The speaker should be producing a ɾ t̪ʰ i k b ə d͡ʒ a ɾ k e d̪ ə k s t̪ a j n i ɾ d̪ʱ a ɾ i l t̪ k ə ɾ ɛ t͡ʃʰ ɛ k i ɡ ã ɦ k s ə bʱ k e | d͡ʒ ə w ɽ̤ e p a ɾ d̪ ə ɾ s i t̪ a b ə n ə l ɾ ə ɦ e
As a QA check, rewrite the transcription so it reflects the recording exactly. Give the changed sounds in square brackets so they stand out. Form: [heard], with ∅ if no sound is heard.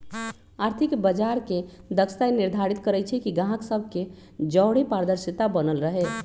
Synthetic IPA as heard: a ɾ t̪ʰ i k b ə d͡ʒ a ɾ k e d̪ ə k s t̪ a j n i ɾ d̪ʱ a ɾ i [∅] t̪ k ə ɾ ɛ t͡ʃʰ ɛ k i ɡ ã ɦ k s ə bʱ k e | d͡ʒ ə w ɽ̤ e p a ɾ d̪ ə ɾ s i t̪ a b ə n ə l ɾ ə ɦ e